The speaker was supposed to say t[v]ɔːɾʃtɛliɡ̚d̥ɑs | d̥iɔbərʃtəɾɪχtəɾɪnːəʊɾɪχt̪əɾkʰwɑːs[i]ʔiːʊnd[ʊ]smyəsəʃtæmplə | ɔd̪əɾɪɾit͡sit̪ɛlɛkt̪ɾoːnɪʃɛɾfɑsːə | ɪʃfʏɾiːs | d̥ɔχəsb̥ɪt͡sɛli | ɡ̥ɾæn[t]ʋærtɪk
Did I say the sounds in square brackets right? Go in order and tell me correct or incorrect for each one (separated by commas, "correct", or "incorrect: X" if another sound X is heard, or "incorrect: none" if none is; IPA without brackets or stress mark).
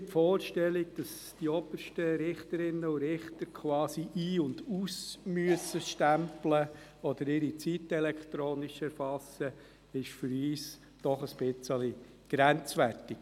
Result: incorrect: f, correct, incorrect: u, incorrect: t͡s